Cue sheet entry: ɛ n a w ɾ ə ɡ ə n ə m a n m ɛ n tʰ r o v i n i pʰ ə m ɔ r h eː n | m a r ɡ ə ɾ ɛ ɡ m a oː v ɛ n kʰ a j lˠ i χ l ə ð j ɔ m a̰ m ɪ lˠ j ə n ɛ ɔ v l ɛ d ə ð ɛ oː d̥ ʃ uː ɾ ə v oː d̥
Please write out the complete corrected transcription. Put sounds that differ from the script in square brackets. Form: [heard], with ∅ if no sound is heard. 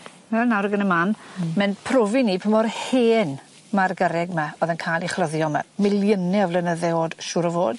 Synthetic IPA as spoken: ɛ n a w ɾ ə ɡ ə n ə m a n m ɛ n [pʰ] r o v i n i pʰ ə m ɔ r h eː n | m a r ɡ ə ɾ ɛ ɡ m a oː [ð] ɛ n kʰ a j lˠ i χ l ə ð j ɔ m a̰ m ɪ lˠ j ə n ɛ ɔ v l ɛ [n] ə ð ɛ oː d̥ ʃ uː ɾ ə v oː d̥